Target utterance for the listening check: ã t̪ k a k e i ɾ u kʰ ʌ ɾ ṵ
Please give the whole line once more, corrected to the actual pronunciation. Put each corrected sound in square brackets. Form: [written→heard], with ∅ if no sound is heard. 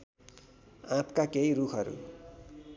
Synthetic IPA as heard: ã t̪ k a k e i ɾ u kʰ ʌ ɾ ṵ